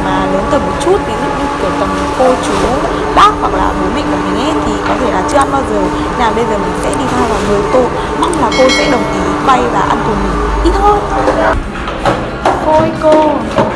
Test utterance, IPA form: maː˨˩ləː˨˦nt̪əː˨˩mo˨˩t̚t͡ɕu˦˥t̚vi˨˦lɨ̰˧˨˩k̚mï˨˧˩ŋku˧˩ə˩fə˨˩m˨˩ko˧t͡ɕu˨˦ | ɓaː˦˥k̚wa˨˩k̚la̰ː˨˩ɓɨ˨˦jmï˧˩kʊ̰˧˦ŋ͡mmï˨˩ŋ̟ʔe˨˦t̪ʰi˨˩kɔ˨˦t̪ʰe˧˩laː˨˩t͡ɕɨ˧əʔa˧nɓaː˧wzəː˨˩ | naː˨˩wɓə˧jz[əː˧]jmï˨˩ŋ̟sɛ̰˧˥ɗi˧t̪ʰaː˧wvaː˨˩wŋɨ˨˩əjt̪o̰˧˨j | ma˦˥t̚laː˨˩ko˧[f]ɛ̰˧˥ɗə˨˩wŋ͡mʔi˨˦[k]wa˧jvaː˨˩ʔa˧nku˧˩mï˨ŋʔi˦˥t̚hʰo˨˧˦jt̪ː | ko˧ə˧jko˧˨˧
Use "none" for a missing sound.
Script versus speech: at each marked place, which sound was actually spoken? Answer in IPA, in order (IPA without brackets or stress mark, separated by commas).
əː˨˩, s, k